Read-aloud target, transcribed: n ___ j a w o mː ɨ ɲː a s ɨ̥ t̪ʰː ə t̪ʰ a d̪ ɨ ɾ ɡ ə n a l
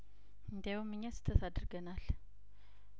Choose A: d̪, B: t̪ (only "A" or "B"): A